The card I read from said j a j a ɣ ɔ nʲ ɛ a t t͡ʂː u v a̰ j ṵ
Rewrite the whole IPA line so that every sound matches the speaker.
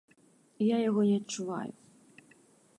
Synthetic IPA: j a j a ɣ ɔ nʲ ɛ ɐ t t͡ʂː u v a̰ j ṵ